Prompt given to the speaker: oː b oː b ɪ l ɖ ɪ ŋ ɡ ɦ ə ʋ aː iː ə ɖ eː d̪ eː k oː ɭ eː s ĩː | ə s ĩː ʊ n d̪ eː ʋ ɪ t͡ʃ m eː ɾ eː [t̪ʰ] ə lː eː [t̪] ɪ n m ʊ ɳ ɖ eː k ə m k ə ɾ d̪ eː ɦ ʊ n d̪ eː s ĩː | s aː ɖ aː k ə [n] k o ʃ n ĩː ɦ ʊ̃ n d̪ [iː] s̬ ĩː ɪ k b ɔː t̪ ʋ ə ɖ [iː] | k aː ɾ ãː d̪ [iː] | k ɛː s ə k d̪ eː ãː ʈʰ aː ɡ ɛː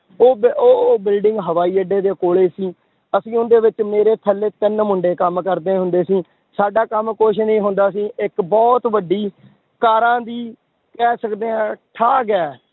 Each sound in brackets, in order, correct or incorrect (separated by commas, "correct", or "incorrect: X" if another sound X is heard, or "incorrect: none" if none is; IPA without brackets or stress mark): correct, correct, incorrect: m, incorrect: aː, correct, correct